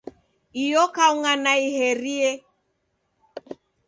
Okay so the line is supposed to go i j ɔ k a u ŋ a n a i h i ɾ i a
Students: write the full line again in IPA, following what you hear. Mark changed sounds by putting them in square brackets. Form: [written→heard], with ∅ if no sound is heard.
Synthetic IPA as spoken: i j ɔ k a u ŋ a n a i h [i→ɛ] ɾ i [a→ɛ]